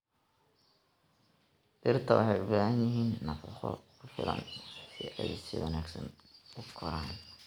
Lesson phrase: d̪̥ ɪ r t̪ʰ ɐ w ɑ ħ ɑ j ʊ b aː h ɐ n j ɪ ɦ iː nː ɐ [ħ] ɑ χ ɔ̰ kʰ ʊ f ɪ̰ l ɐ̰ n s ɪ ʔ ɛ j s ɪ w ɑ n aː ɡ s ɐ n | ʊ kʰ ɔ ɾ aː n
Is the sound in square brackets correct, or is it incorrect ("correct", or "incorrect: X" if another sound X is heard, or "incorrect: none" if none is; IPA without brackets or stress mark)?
incorrect: f